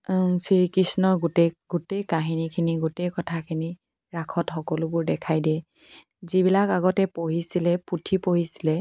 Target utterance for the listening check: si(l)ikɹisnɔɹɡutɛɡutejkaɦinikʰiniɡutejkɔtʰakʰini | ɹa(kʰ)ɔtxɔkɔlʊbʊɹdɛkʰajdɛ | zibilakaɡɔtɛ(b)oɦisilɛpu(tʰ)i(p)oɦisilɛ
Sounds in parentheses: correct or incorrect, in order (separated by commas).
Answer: incorrect, correct, incorrect, correct, correct